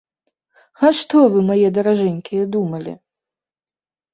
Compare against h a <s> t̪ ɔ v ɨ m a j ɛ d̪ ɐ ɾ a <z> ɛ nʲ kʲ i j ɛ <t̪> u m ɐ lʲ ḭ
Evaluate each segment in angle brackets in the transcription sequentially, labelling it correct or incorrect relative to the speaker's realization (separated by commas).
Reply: incorrect, incorrect, incorrect